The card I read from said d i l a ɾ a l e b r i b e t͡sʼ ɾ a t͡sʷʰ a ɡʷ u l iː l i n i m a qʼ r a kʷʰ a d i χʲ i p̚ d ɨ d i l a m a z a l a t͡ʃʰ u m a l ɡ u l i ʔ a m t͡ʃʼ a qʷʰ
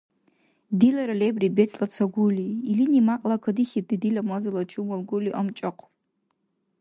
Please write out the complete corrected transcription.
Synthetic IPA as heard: d i l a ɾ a l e b r i b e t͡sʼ l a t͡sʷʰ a ɡʷ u l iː l i n i m a qʼ l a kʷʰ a d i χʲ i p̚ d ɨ d i l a m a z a l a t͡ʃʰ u m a l ɡ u l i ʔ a m t͡ʃʼ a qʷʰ